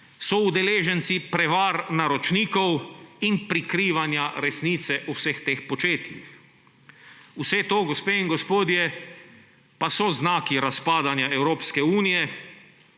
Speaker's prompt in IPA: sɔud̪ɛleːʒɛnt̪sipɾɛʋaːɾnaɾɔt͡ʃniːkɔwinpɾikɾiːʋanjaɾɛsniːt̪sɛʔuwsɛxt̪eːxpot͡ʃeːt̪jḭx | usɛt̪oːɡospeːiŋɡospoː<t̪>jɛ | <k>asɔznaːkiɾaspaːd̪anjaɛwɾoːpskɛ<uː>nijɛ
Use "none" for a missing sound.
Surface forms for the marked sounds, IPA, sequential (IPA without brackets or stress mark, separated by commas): d̪, p, uː